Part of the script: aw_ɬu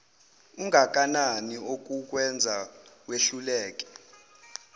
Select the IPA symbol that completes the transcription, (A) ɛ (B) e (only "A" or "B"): B